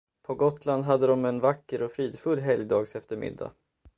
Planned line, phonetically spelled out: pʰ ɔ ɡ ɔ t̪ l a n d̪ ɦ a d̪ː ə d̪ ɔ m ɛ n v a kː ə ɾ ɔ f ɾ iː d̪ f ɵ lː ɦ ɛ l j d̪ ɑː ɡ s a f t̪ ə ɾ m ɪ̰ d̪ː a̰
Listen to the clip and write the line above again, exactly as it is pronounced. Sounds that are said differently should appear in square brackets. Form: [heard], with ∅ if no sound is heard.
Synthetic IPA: pʰ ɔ ɡ ɔ t̪ l a n d̪ ɦ a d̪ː ə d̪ ɔ m ɛ n v a kː ə ɾ ɔ f ɾ iː d̪ f ɵ lː ɦ ɛ l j d̪ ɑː ɡ s [ɛ] f t̪ ə ɾ m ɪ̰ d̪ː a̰